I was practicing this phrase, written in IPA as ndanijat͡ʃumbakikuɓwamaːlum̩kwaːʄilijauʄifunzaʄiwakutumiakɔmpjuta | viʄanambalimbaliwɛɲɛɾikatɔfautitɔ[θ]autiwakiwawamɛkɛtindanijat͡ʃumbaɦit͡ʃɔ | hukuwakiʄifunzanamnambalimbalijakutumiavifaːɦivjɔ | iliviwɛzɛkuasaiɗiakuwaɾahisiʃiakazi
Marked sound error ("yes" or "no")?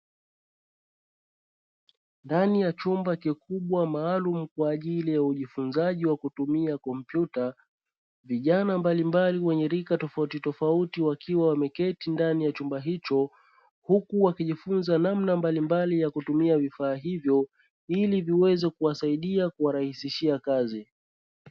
yes